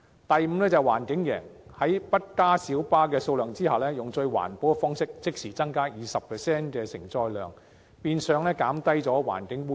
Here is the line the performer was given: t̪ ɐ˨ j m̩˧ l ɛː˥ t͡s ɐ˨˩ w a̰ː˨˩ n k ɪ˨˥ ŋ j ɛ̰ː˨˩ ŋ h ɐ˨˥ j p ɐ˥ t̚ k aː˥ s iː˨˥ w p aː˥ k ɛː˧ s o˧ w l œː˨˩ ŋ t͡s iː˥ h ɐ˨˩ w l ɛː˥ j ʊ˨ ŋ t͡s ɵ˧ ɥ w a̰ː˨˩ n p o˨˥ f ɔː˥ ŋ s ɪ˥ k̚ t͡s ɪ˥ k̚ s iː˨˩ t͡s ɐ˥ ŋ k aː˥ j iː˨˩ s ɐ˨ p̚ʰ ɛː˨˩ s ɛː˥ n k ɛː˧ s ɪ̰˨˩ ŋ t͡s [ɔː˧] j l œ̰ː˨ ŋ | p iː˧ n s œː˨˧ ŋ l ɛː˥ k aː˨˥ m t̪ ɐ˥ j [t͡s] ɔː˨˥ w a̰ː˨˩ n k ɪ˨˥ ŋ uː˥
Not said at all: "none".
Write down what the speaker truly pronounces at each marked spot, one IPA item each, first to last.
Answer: ɔː˧, t͡s

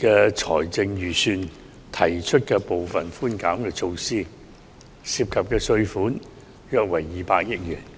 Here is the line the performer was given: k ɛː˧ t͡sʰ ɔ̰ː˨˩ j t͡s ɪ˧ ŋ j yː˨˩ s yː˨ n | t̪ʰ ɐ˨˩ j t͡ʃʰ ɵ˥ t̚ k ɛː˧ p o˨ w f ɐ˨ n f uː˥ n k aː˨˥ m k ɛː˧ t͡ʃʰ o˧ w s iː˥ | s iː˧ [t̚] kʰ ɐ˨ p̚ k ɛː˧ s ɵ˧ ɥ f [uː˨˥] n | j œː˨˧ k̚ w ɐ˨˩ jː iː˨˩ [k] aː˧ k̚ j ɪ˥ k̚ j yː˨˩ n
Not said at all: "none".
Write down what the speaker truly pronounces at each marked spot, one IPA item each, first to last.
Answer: p̚, uː˨˥, p

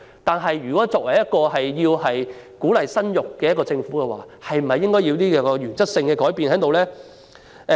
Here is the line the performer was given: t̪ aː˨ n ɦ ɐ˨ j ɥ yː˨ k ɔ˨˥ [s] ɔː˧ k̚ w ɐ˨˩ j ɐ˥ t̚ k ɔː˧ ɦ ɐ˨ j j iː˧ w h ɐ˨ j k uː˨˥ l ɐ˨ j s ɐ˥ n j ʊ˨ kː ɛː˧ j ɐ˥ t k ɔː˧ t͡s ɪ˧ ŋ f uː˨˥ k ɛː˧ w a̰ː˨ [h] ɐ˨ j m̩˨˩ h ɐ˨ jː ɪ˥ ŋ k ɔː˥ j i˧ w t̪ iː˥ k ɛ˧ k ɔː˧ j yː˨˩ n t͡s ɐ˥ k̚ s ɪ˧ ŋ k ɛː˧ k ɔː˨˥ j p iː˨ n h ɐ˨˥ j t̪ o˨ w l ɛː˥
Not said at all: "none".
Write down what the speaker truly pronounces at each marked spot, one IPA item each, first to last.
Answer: t͡s, h

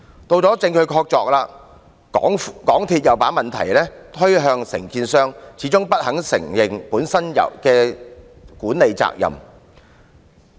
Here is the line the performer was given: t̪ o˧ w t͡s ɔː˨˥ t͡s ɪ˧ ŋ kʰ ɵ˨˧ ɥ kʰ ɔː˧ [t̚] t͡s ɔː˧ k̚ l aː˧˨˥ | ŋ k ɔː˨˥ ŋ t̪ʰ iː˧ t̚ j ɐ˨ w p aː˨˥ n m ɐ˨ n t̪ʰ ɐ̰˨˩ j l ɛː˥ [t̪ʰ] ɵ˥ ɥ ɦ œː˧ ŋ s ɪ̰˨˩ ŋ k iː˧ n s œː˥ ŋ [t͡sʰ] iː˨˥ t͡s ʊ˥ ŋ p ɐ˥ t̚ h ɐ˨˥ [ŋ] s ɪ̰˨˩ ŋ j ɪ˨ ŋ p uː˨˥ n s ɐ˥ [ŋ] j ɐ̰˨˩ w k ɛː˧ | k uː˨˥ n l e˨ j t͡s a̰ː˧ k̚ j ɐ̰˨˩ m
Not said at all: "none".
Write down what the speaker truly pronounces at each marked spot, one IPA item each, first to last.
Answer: k̚, t̪ʰ, t͡sʰ, ŋ, n

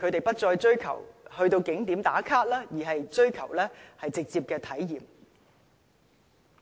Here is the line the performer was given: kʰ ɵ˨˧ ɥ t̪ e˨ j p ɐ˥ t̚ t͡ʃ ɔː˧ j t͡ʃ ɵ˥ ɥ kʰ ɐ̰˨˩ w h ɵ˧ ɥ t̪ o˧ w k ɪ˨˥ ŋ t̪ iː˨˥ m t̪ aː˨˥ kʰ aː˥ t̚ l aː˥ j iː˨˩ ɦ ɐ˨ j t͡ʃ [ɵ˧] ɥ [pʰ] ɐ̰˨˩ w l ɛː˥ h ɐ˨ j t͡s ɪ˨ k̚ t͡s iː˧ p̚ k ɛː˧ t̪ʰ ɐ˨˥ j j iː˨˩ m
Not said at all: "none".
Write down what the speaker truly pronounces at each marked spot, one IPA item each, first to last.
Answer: ɵ˥, kʰ

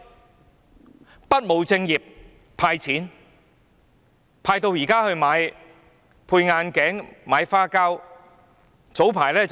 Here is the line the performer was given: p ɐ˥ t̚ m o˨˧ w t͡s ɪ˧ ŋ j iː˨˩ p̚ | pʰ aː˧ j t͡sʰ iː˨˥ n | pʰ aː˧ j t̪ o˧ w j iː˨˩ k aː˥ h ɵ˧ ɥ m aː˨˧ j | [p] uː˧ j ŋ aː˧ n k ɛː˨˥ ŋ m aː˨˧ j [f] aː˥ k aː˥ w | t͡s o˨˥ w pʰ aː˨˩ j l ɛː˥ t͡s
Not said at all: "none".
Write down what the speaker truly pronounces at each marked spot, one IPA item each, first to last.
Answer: pʰ, f

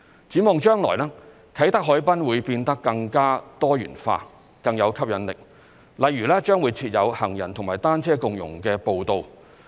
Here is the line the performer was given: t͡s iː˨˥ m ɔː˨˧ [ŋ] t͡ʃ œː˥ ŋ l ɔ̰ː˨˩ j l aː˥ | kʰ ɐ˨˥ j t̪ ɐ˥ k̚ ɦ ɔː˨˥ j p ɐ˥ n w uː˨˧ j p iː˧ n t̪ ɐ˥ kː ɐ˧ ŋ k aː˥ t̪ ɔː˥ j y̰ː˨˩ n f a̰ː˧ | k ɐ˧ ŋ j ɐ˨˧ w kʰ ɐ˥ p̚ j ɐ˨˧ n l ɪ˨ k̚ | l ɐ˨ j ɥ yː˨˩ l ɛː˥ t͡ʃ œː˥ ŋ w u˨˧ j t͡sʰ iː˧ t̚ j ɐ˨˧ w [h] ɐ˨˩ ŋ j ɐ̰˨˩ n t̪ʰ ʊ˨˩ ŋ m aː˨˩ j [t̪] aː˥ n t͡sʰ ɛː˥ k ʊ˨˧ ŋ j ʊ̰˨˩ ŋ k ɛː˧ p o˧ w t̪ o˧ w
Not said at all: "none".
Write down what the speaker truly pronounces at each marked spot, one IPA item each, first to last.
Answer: ŋ, h, t̪

